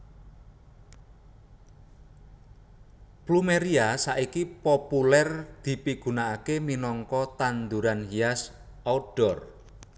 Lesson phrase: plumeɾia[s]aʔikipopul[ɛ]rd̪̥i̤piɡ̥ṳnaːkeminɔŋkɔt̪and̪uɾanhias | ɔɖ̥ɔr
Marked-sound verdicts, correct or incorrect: correct, correct

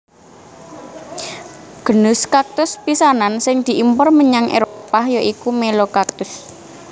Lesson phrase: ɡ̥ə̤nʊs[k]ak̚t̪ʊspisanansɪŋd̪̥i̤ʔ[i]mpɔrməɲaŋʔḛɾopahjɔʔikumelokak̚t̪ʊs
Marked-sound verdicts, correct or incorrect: correct, correct

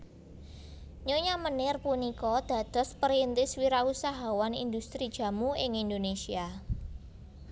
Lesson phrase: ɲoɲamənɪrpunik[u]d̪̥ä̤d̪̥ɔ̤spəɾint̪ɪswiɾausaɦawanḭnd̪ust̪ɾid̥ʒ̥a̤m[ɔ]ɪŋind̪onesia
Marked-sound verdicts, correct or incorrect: incorrect: ɔ, incorrect: u

